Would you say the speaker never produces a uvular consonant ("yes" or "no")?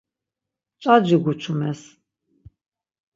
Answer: yes